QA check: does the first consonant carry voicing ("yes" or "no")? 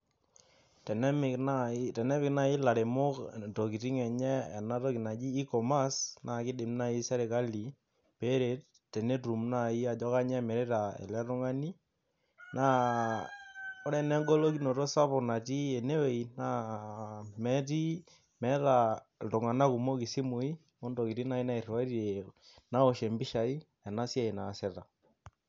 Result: no